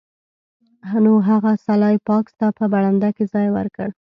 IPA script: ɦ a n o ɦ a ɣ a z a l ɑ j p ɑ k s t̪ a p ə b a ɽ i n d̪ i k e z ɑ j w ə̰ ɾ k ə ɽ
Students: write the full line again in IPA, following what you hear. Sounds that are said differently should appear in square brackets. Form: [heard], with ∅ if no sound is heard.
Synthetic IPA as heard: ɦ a n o ɦ a ɣ a [s] a l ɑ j p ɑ k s t̪ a p ə b a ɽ [a] n d̪ [a] k e z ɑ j w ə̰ ɾ k ə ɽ